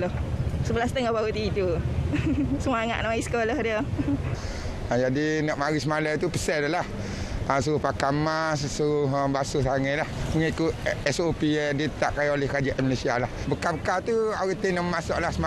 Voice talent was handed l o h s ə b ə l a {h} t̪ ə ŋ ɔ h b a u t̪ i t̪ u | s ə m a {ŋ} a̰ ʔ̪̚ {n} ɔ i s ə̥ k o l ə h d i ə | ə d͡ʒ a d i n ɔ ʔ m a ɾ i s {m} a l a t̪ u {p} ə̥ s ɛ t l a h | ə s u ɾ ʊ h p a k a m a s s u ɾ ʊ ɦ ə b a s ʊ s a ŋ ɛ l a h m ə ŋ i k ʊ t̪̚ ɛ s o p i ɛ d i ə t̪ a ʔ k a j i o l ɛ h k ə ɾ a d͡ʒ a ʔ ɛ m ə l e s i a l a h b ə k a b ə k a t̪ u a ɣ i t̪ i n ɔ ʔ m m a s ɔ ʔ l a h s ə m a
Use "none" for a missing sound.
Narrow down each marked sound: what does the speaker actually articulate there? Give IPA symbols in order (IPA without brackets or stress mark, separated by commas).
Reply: s, ŋ, n, m, p